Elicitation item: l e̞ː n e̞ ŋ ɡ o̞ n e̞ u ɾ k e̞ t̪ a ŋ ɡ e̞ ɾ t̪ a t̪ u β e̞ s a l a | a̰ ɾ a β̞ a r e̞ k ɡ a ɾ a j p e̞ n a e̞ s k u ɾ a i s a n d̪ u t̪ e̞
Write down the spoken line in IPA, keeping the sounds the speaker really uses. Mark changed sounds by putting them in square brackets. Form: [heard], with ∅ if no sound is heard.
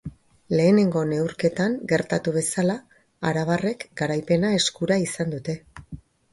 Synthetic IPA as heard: l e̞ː n e̞ ŋ ɡ o̞ n e̞ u ɾ k e̞ t̪ a ŋ ɡ e̞ ɾ t̪ a t̪ u β e̞ s a l a | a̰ ɾ a β̞ a r e̞ k ɡ a ɾ a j p e̞ n a e̞ s k u ɾ a i s a n d̪ u t̪ e̞